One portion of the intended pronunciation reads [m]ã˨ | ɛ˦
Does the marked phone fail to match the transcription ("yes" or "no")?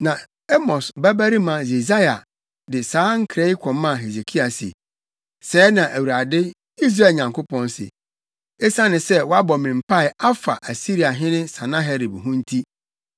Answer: yes